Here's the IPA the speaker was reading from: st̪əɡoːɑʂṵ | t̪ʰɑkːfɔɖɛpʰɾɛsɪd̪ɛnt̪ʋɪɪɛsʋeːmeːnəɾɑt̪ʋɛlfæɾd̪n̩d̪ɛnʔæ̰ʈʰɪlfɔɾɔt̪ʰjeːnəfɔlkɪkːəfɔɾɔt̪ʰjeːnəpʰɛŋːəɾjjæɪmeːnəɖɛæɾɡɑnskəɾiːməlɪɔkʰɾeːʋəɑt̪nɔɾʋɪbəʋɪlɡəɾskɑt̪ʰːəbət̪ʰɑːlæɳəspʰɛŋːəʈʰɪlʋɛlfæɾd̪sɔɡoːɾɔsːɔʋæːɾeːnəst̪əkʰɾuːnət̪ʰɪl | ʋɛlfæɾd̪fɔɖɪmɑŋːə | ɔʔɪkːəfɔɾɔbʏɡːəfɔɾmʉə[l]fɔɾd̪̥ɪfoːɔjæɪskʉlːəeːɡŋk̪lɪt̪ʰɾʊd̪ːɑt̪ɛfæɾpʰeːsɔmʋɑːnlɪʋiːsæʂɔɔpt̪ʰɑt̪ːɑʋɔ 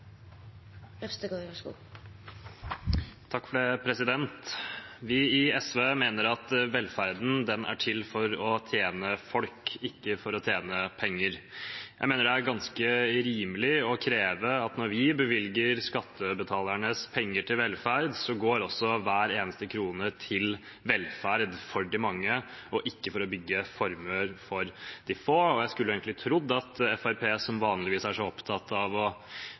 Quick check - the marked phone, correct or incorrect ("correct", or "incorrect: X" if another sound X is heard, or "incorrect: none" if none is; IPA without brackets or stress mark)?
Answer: incorrect: ɾ